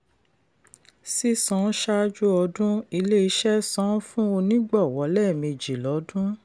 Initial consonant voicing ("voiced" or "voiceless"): voiceless